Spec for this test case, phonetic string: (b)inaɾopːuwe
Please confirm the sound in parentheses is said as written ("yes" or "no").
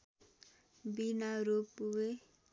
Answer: yes